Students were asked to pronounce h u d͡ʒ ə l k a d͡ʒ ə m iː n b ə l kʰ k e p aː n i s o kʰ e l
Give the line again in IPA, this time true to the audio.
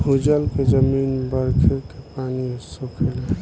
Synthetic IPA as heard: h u d͡ʒ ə l k e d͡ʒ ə m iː n b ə ɾ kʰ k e p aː n i s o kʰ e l